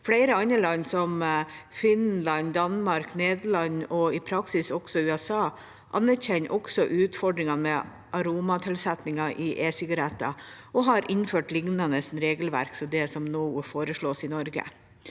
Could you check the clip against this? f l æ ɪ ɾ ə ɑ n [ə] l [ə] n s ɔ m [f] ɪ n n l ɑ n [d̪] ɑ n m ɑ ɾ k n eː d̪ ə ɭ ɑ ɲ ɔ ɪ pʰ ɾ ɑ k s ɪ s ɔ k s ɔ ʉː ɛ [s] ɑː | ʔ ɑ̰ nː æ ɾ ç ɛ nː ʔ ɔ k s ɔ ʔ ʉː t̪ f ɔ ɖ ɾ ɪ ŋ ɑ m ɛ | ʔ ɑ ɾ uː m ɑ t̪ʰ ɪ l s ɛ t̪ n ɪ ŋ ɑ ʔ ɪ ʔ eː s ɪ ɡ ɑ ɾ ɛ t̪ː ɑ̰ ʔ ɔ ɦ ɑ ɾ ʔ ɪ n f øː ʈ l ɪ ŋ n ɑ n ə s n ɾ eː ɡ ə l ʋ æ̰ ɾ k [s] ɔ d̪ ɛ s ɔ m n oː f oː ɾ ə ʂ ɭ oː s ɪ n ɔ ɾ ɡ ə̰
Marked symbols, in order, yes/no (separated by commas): yes, no, yes, yes, yes, yes